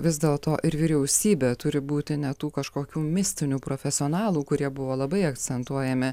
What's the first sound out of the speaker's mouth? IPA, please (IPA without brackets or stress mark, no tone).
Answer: ʋʲ